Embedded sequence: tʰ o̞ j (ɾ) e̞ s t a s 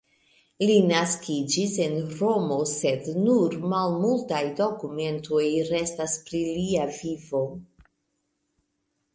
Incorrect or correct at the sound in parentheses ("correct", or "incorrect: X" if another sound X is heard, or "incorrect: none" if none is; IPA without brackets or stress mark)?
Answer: correct